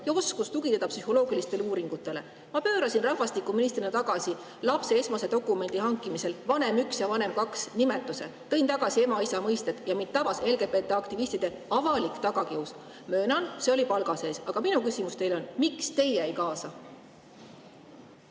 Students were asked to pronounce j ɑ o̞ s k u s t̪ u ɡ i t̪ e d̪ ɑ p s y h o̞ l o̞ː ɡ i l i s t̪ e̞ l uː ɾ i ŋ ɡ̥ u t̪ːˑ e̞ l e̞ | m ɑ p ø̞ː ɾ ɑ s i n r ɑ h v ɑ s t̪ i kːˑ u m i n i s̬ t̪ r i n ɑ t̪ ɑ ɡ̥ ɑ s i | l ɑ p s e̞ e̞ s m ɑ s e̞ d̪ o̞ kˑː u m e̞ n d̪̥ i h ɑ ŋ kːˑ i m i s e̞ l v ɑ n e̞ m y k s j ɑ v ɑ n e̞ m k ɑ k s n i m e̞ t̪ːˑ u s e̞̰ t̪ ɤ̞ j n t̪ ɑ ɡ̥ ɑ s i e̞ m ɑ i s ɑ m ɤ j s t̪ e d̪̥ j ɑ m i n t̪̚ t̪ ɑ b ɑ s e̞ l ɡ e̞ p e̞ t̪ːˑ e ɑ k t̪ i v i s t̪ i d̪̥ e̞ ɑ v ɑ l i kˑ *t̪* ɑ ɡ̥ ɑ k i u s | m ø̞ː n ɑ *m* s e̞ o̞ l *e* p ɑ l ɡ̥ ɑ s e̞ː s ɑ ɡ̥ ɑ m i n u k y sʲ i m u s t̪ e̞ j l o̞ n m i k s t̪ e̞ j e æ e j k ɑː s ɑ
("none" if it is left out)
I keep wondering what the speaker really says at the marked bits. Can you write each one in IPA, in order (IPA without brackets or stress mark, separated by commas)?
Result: t̪, n, i